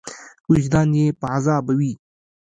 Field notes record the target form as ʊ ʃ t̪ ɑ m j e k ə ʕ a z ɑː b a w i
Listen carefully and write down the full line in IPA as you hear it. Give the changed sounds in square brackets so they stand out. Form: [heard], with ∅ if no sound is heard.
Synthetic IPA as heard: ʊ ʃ [d̪] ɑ [n] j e [p] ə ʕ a z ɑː b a w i